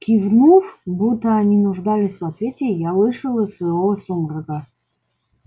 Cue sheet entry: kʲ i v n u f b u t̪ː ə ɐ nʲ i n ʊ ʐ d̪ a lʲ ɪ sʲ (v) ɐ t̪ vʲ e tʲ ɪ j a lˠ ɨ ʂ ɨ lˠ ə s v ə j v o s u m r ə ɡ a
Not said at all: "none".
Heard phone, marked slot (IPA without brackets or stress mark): v